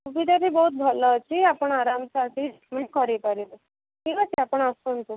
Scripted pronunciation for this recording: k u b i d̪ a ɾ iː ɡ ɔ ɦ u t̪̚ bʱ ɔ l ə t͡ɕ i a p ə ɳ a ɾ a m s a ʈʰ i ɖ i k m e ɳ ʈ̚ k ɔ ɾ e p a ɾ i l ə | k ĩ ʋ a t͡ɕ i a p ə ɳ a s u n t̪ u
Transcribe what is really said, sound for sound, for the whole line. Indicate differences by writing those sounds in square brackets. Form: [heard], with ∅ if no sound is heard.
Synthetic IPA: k u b i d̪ a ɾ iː [b] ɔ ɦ u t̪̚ bʱ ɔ l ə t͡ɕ i a p ə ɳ a ɾ a m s a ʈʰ i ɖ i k m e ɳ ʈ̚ k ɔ ɾ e p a ɾ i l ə | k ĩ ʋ a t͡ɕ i a p ə ɳ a s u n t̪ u